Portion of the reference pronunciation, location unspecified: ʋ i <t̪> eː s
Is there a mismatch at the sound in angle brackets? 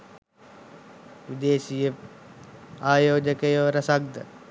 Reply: yes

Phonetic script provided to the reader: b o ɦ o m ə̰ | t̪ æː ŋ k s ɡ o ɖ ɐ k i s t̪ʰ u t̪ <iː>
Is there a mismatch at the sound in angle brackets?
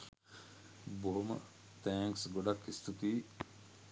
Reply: no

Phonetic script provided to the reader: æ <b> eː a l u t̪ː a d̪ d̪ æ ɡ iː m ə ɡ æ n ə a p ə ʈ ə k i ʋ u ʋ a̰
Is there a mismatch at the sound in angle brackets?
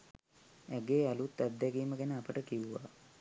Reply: yes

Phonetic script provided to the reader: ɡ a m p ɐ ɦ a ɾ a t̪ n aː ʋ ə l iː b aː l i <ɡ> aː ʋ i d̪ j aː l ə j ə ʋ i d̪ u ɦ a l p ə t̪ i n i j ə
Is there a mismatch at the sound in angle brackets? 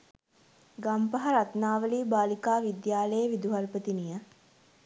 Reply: yes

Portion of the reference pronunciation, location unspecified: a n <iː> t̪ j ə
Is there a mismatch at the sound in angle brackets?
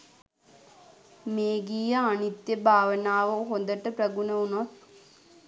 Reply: yes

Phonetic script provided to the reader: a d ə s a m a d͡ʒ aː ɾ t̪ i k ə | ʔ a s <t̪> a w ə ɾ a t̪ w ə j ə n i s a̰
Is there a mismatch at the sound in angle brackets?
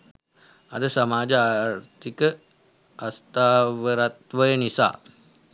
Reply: no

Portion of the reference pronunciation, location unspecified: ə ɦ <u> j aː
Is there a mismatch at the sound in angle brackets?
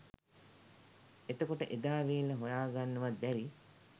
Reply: yes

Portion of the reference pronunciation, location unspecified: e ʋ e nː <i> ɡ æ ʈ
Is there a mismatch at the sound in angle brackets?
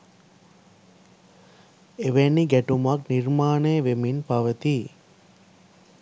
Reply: no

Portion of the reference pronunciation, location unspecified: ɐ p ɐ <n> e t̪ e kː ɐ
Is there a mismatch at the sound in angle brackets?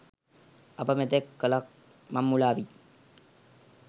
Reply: yes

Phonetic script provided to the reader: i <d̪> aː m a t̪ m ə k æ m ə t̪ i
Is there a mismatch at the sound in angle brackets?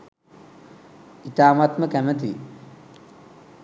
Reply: yes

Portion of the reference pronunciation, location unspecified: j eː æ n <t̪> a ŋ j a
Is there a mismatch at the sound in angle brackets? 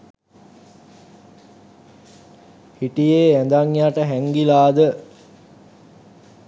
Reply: yes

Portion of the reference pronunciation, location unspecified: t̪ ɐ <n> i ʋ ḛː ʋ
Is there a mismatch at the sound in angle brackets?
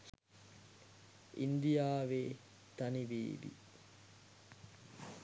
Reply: no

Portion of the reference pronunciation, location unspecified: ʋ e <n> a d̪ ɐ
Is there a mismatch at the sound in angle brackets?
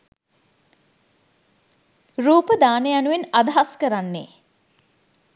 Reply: no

